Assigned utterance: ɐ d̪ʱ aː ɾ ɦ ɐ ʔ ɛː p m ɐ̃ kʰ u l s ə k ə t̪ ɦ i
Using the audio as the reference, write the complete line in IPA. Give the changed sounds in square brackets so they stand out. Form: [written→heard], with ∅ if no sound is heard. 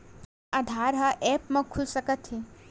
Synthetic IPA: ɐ d̪ʱ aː ɾ ɦ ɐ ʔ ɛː p m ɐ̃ kʰ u l s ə k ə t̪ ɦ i